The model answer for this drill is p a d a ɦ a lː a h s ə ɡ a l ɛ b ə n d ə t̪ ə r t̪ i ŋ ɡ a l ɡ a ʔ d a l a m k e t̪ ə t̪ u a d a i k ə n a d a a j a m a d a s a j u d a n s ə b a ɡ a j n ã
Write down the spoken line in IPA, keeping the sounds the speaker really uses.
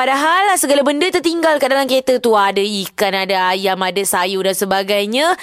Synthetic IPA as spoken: p a d a ɦ a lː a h s ə ɡ a l a b ə n d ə t̪ ə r t̪ i ŋ ɡ a l k a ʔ d a l a m k e t̪ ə t̪ u a d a i k a n a d a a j a m a d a s a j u d a n s ə b a ɡ a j ɲ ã